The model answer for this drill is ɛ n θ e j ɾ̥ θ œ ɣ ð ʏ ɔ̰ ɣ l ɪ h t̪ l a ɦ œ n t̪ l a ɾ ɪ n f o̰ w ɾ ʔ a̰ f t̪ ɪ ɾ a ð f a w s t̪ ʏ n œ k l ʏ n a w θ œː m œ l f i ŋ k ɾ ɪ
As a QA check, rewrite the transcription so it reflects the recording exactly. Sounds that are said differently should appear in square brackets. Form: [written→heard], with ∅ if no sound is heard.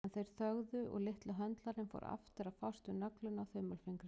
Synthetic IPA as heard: ɛ n θ e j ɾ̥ θ œ ɣ ð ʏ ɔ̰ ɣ l ɪ h t̪ l a ɦ œ n t̪ l a ɾ ɪ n f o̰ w ɾ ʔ a̰ f t̪ ɪ ɾ a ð f a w s t̪ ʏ n œ k l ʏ n a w θ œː m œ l f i ŋ k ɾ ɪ